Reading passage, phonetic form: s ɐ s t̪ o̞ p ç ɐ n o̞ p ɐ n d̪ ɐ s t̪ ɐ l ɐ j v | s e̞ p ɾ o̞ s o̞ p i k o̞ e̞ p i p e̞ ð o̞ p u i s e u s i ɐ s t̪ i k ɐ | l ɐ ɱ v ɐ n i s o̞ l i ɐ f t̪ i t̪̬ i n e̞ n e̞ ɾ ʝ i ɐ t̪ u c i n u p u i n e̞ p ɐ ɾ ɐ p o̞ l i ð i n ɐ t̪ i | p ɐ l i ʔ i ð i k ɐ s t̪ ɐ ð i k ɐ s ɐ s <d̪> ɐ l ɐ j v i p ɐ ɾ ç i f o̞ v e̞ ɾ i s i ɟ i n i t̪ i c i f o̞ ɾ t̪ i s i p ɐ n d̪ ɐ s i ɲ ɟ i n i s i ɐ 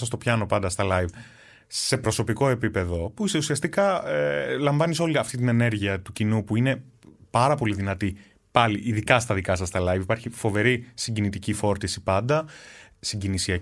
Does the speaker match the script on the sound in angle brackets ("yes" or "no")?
no